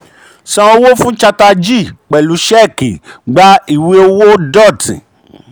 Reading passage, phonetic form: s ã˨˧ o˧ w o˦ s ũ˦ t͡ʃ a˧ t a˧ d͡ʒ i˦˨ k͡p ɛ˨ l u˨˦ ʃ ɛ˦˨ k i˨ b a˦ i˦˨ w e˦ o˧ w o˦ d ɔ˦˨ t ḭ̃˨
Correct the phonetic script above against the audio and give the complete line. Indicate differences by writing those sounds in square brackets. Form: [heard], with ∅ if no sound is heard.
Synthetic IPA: s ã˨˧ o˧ w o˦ [f] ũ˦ t͡ʃ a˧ t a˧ d͡ʒ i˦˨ k͡p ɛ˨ l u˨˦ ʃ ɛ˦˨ k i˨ [ɡ͡b] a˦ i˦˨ w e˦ o˧ w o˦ d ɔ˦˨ t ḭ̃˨